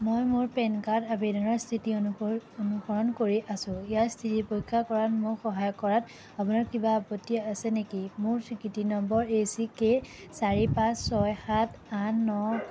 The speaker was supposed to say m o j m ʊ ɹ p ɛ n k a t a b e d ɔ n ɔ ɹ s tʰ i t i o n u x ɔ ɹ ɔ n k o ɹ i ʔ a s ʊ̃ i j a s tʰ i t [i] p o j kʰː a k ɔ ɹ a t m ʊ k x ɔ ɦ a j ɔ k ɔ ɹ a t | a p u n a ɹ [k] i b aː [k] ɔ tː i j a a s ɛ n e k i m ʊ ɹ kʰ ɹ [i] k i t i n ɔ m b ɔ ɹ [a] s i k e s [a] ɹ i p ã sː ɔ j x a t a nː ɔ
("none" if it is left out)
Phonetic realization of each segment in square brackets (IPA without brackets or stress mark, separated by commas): i, k, p, i, e, a